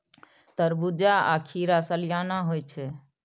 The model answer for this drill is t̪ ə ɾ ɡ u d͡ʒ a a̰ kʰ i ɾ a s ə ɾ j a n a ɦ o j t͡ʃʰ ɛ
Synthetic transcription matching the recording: t̪ ə ɾ b u d͡ʒ a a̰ kʰ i ɾ a s ə l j a n a ɦ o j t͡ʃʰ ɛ